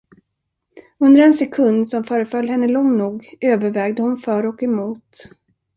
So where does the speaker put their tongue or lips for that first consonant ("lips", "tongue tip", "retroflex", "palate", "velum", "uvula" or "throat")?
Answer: tongue tip